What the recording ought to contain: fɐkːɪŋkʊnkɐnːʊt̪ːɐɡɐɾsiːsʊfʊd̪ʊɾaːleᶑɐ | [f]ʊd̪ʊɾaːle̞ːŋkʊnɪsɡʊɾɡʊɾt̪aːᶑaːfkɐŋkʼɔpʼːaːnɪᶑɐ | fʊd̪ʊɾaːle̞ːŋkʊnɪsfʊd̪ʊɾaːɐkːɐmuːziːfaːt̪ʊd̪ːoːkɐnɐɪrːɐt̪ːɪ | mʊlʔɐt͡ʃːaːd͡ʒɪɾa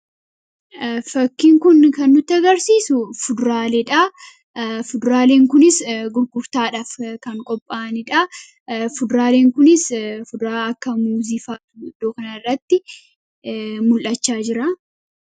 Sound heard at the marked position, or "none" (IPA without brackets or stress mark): f